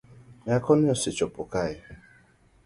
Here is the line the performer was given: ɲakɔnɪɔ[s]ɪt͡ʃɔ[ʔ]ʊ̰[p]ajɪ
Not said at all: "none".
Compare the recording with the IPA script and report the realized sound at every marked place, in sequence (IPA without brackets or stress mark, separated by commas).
s, p, k